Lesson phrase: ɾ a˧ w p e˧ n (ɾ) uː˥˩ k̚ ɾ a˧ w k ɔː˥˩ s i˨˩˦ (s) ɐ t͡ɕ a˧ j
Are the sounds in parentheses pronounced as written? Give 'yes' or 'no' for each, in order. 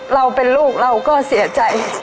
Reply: no, no

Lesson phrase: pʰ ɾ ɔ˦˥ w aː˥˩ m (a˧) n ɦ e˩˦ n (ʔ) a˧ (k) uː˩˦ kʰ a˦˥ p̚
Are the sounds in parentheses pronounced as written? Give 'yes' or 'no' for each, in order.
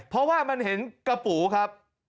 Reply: yes, no, no

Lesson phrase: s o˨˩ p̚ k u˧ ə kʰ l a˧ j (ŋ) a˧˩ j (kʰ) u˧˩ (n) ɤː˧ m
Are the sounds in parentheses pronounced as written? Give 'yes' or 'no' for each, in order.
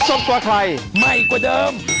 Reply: no, no, no

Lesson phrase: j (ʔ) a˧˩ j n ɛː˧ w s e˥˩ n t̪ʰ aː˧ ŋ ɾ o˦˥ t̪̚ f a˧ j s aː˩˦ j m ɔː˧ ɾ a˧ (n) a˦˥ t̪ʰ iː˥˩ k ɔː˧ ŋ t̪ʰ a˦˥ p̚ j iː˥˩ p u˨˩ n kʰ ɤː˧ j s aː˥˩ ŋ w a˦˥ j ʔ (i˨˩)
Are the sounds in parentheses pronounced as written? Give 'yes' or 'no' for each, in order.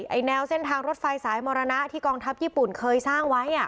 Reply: yes, yes, no

